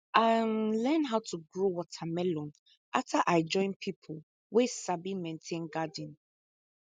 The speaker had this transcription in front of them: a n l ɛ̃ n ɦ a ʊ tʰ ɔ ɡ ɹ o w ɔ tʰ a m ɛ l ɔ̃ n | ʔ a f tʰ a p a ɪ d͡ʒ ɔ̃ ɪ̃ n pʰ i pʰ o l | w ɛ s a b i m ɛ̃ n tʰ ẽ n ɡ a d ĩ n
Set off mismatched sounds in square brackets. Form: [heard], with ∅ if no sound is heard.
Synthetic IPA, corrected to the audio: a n l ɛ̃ n ɦ a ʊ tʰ [u] ɡ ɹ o w ɔ tʰ a m ɛ l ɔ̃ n | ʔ a f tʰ a [ʔ] a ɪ d͡ʒ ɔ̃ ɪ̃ n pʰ i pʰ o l | w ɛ s a b i m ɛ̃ n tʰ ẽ n ɡ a d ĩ n